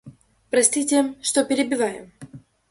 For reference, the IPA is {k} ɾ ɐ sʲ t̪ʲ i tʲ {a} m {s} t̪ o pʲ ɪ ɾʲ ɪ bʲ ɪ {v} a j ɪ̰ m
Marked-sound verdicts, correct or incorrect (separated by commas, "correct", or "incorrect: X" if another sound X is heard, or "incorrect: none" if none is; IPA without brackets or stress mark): incorrect: p, incorrect: e, incorrect: ʂ, correct